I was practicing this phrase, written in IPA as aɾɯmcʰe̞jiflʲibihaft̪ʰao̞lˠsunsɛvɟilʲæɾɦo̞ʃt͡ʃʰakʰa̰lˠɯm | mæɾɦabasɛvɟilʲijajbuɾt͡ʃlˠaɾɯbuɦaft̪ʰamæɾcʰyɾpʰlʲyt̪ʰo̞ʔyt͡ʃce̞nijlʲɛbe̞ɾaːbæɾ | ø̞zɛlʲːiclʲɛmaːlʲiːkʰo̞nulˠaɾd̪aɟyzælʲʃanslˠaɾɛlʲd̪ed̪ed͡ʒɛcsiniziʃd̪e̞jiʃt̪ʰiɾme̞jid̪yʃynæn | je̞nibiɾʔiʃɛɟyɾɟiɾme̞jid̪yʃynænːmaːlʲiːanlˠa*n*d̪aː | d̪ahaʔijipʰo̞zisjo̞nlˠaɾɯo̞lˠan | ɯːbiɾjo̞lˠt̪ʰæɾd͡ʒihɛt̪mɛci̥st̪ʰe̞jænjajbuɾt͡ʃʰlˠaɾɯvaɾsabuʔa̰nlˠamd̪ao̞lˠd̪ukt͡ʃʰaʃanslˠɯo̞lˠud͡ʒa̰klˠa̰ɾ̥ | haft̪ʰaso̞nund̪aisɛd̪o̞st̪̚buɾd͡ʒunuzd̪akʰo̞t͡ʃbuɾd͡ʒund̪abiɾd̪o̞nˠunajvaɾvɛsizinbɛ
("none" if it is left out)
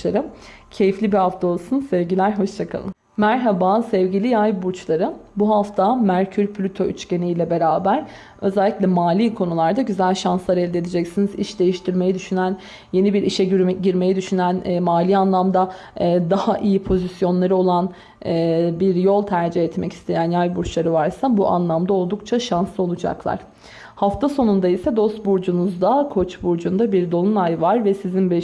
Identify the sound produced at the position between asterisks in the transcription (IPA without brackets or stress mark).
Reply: m